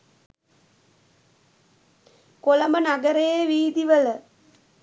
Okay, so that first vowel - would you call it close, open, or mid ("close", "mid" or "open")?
mid